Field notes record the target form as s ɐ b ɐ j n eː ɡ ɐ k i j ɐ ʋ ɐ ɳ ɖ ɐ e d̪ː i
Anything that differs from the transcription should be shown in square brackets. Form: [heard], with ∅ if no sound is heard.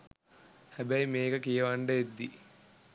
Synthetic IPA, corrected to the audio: [h] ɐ b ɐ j [m] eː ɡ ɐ k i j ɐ ʋ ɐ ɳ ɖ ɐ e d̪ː i